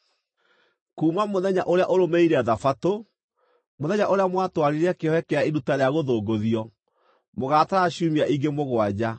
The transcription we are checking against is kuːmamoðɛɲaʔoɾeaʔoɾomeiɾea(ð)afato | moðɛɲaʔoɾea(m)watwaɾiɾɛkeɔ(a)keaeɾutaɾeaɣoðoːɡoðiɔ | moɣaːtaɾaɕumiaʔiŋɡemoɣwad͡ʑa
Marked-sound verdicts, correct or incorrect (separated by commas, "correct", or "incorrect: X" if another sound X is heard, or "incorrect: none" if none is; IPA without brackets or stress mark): correct, correct, incorrect: ɛ